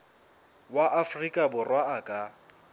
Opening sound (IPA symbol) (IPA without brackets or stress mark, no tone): w